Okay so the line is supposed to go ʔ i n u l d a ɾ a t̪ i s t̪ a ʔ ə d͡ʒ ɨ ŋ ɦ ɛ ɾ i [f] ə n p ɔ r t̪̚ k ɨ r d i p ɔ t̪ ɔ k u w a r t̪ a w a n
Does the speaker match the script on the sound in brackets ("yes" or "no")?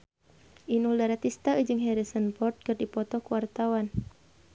no